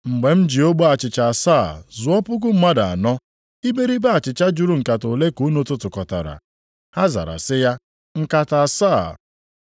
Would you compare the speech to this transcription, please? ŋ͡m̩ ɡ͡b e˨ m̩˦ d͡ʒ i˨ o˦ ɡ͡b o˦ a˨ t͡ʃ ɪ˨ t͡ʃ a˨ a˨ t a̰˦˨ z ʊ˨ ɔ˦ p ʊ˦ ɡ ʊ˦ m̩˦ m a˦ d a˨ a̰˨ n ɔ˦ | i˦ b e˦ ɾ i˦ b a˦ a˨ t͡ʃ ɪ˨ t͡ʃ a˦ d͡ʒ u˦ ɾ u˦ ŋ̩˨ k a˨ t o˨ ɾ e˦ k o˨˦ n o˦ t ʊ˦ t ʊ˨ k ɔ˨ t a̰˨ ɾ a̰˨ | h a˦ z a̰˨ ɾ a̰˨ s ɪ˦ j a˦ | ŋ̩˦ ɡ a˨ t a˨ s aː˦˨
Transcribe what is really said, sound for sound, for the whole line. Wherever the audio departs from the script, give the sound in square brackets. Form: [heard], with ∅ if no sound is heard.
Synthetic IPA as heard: ŋ͡m̩ ɡ͡b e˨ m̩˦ d͡ʒ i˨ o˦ ɡ͡b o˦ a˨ t͡ʃ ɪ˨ t͡ʃ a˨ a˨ [s] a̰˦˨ z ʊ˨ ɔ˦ p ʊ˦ ɡ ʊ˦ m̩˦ m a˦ d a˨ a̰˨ n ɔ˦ | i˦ b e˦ ɾ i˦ b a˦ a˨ t͡ʃ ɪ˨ t͡ʃ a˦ d͡ʒ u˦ ɾ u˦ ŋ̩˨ k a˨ t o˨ [l] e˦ k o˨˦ n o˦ t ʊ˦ t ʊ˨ k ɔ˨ t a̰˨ ɾ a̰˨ | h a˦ z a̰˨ ɾ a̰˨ s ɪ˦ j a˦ | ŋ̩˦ [k] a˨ t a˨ s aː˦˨

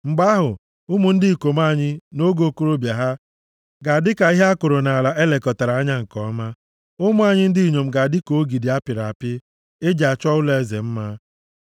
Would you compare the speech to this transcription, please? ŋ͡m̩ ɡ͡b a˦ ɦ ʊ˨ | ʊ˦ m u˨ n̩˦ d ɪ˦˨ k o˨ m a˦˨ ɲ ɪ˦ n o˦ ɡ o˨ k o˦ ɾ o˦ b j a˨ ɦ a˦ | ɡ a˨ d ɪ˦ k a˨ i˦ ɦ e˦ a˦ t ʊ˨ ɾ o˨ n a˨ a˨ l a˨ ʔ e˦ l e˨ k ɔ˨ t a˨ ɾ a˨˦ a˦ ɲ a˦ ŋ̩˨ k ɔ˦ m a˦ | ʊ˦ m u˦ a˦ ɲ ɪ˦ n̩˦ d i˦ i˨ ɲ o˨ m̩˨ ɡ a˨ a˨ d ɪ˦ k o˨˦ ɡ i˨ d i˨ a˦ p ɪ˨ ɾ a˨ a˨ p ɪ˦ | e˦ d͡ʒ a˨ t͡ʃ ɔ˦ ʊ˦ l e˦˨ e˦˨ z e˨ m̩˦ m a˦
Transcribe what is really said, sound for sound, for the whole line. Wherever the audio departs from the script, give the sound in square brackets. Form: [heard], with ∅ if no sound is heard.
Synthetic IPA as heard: ŋ͡m̩ ɡ͡b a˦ ɦ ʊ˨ | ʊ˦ m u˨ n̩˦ d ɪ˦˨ k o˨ m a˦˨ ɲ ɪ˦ n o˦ ɡ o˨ k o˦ ɾ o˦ b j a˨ ɦ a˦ | ɡ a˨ d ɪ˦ k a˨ i˦ ɦ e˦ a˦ [k] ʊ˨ ɾ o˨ n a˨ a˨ l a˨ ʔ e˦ l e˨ k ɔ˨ t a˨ ɾ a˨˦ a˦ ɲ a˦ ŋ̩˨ k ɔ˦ m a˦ | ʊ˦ m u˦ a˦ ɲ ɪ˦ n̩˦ d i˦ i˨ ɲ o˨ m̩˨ ɡ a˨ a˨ d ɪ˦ k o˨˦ ɡ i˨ d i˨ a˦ p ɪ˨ ɾ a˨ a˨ p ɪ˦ | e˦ d͡ʒ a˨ t͡ʃ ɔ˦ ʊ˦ l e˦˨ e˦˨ z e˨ m̩˦ m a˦

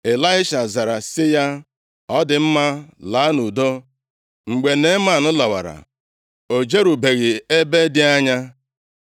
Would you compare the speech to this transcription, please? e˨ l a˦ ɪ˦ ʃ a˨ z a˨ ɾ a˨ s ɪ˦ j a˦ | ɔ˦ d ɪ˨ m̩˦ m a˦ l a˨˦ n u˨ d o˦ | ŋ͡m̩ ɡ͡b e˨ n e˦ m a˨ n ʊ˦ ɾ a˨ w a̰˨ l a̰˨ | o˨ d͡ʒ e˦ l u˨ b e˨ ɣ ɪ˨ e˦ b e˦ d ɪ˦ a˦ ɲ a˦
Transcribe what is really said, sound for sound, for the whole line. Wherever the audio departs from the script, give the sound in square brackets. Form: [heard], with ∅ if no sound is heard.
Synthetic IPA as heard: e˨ l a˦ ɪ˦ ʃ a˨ z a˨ ɾ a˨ s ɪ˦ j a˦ | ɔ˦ d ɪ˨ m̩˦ m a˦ l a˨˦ n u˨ d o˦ | ŋ͡m̩ ɡ͡b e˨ n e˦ m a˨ n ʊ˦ [l] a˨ w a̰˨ [ɾ] a̰˨ | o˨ d͡ʒ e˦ [ɾ] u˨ b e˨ ɣ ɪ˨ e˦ b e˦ d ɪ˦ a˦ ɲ a˦

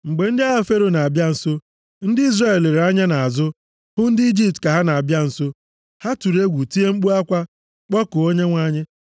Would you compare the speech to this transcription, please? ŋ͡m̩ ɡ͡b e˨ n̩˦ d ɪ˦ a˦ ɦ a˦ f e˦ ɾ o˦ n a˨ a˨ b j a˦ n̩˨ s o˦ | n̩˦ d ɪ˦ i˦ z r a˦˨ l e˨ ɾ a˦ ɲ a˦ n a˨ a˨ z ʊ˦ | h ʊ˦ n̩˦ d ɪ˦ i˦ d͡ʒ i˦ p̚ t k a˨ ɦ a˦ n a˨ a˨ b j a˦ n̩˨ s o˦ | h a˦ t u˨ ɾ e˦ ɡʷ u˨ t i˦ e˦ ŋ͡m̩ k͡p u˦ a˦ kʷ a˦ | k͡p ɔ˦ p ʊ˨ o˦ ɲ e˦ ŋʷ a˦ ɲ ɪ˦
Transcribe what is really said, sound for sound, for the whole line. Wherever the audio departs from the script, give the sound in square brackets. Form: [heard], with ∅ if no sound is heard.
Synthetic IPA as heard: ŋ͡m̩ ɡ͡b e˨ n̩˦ d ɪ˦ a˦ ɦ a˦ f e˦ ɾ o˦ n a˨ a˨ b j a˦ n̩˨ s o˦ | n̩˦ d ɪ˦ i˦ z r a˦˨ l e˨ ɾ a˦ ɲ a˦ n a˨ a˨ z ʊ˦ | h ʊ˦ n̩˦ d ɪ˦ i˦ d͡ʒ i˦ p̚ t k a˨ ɦ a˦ n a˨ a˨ b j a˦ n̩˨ s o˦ | h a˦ t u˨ ɾ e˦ ɡʷ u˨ t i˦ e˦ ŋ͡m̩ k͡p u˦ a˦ kʷ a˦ | k͡p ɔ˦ [k] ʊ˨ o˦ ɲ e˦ ŋʷ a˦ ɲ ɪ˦

